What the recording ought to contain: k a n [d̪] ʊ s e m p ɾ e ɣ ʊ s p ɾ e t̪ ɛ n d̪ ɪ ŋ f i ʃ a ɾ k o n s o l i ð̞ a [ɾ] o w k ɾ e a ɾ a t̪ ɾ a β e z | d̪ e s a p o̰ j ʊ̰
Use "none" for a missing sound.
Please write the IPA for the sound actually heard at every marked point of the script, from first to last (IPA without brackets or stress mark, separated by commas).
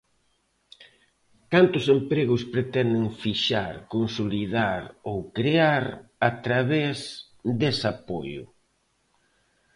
t̪, ɾ